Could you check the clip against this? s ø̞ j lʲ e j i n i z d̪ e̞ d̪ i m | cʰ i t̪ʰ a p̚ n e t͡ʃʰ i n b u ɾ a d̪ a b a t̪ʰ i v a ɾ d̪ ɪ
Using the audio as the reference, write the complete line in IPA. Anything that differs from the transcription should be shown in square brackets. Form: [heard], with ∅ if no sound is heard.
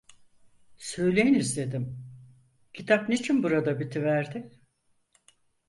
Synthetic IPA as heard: s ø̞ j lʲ e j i n i z d̪ e̞ d̪ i m | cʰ i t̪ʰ a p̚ n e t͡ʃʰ i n b u ɾ a d̪ a b [i] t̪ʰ i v [æ] ɾ d̪ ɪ